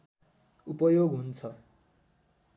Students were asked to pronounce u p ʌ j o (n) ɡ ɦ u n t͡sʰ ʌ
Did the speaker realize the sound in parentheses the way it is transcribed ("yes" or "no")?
no